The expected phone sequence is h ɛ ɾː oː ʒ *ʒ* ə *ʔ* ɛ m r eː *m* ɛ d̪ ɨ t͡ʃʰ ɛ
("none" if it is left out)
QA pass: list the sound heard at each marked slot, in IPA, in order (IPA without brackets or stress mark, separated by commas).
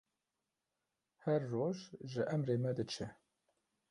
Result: ʒ, ʔ, m